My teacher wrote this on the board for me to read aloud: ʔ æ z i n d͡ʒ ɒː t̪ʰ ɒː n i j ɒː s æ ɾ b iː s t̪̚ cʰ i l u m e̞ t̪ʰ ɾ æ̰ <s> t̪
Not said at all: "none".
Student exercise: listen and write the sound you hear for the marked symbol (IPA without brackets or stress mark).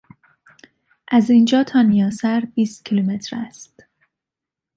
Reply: s